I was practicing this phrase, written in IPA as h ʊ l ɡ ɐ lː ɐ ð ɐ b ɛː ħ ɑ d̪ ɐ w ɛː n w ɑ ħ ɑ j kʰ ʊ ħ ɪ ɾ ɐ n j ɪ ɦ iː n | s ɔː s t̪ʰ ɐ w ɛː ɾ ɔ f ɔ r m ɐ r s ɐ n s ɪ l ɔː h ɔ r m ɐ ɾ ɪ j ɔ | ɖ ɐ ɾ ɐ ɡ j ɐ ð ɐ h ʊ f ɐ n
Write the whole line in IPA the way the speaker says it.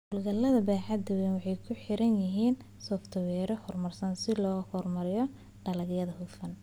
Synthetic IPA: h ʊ l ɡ ɐ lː ɐ ð ɐ b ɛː ħ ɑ d̪ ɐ w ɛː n w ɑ ħ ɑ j kʰ ʊ ħ ɪ ɾ ɐ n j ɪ ɦ iː n | s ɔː f t̪ʰ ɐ w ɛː ɾ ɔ h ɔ r m ɐ r s ɐ n s ɪ l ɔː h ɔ r m ɐ ɾ ɪ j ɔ | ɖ ɐ l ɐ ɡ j ɐ ð ɐ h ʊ f ɐ n